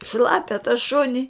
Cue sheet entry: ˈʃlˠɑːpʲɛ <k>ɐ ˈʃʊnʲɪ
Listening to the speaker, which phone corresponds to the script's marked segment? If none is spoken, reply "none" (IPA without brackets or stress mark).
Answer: t